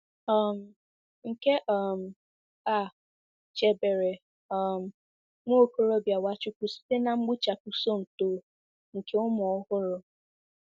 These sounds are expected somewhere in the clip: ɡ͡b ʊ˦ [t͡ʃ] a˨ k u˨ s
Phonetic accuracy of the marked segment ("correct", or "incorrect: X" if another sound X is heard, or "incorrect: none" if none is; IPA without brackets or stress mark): correct